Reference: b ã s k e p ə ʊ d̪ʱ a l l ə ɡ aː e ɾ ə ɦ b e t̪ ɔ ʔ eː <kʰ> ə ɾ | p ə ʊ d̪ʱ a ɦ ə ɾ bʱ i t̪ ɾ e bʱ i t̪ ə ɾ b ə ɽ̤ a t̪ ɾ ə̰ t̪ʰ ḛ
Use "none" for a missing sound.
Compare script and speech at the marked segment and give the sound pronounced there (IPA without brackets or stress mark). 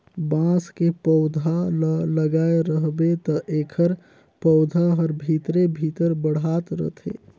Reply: kʰ